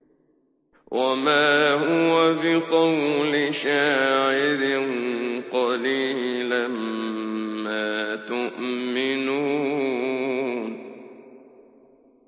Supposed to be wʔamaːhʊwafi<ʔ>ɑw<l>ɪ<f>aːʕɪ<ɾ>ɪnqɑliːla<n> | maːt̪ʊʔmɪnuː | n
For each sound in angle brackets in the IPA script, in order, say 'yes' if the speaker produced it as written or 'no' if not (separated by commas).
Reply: no, yes, no, yes, no